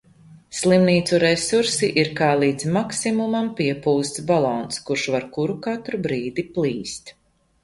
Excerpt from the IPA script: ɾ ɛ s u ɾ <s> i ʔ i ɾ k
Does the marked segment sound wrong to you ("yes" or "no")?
no